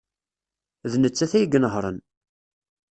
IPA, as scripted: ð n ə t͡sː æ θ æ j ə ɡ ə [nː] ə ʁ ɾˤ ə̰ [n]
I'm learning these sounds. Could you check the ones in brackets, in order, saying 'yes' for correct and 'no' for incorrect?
no, yes

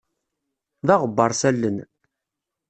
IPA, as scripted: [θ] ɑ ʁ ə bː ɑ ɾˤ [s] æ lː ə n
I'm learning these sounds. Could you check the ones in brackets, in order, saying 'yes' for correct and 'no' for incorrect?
no, yes

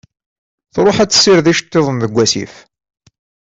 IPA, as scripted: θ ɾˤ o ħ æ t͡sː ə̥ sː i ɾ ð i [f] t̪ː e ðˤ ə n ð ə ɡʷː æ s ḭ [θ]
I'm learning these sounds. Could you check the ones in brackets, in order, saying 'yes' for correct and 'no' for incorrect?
no, no

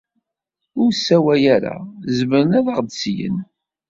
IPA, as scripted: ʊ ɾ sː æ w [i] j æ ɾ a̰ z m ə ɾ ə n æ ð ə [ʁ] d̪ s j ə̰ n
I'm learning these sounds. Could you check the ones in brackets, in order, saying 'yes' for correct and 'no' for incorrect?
no, yes

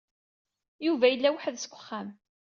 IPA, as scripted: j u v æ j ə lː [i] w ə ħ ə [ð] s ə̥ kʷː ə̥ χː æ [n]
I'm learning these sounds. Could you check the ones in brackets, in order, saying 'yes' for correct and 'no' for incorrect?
no, yes, no

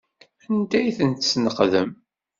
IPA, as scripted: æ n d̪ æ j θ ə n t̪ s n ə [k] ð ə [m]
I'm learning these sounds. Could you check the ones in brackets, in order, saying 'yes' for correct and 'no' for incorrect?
no, yes

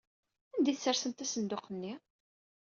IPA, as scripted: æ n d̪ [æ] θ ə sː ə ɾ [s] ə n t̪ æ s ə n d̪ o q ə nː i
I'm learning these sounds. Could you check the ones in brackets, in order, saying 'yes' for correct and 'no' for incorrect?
no, yes

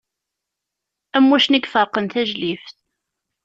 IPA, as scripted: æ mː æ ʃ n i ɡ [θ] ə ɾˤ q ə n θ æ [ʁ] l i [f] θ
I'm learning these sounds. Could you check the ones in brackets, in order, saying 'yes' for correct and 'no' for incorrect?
no, no, yes

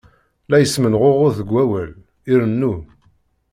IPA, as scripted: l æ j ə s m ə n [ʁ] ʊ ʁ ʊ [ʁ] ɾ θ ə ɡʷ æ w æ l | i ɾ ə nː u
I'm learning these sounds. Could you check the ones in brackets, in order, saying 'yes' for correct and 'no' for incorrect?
yes, no

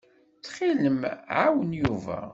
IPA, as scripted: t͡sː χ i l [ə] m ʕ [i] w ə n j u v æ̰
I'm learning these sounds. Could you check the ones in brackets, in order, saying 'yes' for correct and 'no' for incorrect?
yes, no

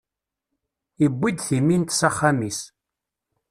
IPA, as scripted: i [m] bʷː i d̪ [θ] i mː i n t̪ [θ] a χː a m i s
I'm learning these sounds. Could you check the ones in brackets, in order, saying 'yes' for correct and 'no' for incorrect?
no, yes, no

